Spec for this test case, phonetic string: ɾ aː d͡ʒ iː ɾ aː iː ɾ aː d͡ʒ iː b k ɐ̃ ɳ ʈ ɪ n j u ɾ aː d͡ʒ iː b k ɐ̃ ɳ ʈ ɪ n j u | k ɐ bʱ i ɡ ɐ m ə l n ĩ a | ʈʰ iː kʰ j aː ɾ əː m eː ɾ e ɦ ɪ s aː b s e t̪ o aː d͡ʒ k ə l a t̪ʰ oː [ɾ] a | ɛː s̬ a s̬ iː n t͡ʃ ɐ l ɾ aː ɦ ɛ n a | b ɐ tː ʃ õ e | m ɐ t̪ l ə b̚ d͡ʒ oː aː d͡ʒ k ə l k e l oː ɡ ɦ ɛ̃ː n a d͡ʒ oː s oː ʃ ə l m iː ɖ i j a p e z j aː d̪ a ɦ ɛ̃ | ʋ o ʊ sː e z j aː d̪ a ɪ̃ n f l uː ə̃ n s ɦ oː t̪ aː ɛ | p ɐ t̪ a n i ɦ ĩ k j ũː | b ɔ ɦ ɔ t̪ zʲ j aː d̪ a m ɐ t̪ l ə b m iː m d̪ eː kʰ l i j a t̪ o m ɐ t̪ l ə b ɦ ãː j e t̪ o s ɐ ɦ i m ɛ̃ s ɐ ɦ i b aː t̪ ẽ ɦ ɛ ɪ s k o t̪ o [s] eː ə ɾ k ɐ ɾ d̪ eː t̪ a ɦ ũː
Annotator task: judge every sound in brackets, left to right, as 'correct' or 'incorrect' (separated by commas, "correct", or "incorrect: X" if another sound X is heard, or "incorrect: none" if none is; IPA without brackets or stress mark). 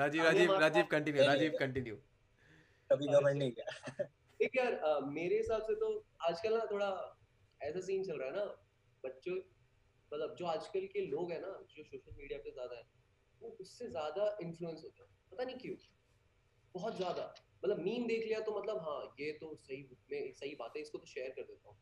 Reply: incorrect: ɽ, incorrect: ʃ